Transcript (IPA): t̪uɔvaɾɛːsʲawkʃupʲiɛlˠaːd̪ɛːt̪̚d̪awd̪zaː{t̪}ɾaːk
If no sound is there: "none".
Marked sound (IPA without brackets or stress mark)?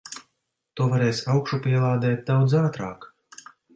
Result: t̪